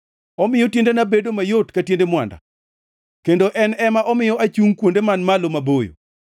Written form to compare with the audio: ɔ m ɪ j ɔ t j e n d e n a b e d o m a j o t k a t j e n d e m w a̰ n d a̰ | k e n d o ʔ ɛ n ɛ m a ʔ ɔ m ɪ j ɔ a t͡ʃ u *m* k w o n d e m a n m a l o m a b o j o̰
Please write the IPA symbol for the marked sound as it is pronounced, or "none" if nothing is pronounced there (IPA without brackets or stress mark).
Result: ŋ